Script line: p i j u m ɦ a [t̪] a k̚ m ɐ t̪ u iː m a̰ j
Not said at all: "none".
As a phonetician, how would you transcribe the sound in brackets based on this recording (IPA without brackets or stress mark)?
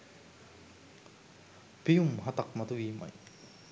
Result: t̪